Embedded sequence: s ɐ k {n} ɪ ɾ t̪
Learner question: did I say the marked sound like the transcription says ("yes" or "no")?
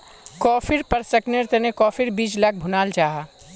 yes